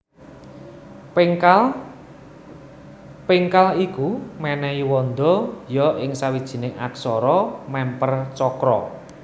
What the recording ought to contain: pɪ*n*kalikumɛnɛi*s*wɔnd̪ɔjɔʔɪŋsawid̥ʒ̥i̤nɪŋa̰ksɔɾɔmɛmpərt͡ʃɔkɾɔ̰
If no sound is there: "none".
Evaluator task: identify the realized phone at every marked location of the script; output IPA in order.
ŋ, none

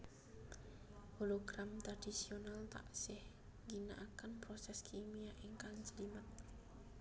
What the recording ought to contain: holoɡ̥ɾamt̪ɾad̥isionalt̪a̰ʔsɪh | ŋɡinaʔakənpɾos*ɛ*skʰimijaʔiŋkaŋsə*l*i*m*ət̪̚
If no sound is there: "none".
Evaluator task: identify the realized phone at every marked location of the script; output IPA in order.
ɛ, l, m

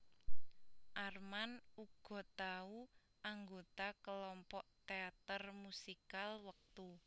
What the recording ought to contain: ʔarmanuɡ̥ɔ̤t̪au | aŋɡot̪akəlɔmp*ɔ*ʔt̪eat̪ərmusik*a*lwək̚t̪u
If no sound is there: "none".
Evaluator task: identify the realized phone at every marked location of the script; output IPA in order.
ɔ, a

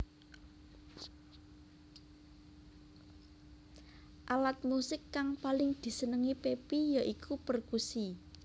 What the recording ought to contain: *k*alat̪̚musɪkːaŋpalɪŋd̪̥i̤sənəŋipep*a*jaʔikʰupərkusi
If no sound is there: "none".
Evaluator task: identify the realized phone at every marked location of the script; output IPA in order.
ʔ, i

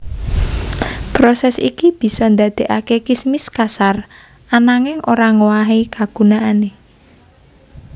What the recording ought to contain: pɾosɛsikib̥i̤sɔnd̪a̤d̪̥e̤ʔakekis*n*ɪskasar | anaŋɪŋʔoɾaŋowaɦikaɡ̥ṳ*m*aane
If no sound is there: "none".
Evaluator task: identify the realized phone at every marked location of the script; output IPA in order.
m, n

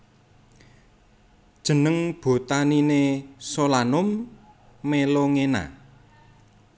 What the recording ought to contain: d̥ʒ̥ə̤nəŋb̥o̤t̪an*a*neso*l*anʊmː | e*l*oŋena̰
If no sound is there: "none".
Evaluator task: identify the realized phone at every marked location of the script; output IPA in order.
i, l, l

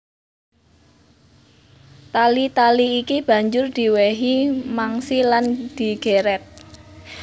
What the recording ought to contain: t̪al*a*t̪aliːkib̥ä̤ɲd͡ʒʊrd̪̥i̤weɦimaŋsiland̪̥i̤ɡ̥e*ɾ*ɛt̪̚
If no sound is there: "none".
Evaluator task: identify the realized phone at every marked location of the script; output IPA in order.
i, ɾ

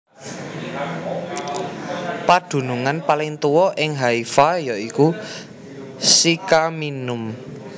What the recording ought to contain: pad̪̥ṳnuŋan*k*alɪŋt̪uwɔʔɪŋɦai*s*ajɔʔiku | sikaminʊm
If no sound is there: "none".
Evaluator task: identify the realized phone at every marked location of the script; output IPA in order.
p, f

